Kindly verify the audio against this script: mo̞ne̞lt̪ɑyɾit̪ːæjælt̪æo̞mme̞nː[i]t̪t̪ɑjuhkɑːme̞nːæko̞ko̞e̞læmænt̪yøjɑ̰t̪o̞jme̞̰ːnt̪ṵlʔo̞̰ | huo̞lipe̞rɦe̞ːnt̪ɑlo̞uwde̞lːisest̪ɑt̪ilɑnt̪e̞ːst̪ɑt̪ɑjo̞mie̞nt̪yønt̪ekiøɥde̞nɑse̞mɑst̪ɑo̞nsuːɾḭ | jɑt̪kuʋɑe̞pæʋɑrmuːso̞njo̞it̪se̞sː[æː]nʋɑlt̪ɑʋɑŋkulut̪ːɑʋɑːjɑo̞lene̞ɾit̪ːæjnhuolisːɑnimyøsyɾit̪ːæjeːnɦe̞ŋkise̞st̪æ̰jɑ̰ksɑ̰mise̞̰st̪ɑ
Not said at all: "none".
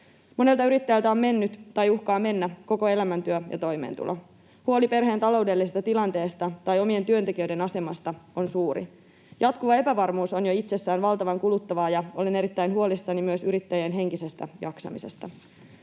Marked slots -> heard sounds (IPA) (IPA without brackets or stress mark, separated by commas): y, æː